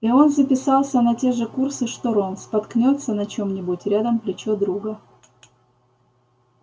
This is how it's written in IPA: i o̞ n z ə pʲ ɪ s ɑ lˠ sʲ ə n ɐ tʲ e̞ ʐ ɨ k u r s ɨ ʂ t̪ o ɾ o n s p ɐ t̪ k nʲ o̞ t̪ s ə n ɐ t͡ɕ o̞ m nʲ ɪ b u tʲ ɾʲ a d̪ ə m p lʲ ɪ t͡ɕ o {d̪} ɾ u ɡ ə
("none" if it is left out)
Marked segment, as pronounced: d̪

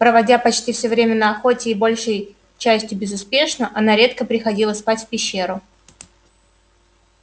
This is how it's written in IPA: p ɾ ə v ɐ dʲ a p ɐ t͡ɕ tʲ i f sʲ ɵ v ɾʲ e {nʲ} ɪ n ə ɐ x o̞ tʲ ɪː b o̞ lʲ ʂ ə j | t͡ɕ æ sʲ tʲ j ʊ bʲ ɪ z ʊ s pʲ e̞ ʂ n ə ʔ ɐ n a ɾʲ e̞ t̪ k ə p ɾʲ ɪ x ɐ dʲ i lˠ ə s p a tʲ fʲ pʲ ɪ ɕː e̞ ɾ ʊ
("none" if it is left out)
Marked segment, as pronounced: mʲ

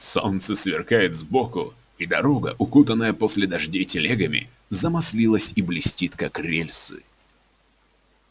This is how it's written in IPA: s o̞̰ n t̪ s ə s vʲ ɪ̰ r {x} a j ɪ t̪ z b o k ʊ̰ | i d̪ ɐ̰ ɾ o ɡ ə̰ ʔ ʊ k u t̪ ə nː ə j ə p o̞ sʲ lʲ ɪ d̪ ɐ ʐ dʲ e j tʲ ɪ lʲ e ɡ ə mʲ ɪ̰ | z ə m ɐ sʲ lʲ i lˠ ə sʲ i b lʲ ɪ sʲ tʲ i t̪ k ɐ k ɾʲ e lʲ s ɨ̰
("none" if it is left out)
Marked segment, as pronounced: k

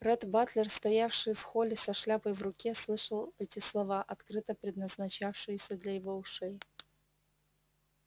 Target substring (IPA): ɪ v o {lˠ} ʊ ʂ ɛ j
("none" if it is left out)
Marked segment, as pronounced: none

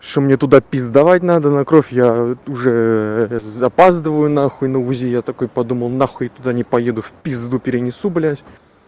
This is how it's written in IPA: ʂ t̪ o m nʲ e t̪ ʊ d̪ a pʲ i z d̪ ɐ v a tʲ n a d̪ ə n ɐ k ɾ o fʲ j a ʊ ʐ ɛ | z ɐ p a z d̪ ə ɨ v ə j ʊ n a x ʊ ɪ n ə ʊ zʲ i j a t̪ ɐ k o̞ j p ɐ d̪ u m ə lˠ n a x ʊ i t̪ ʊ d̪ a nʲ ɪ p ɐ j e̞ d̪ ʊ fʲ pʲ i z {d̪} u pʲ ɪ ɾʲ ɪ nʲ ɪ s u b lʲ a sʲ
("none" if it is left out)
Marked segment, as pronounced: d̪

